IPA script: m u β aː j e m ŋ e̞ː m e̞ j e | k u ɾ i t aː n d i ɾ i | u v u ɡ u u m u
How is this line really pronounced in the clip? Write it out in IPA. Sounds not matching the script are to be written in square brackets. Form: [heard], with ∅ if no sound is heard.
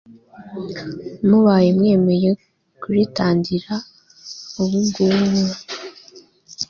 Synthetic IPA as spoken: m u β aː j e m ŋ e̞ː m e̞ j e | k u ɾ i t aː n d i ɾ [a] | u [β] u ɡ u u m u